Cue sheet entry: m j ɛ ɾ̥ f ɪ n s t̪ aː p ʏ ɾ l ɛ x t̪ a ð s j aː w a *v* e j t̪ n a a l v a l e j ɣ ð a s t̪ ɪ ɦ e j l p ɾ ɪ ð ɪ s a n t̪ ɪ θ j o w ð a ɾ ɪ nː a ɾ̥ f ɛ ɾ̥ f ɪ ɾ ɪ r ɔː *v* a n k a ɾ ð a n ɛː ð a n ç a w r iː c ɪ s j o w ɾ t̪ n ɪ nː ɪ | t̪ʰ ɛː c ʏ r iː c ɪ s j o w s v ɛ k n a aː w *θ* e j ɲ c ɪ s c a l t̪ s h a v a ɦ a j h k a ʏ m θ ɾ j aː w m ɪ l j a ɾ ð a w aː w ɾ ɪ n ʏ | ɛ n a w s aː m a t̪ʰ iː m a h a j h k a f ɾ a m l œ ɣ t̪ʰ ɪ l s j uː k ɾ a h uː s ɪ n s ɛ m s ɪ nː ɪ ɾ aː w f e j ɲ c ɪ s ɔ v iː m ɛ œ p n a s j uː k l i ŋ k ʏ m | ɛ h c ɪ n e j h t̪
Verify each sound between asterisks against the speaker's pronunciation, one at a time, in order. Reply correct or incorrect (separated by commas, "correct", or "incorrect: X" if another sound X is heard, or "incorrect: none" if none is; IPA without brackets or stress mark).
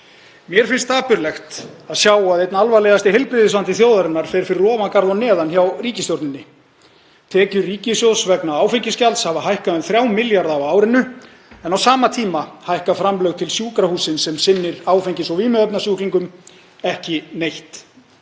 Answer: incorrect: ð, correct, incorrect: f